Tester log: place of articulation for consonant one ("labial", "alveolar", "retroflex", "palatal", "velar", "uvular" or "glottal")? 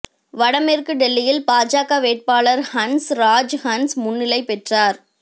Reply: labial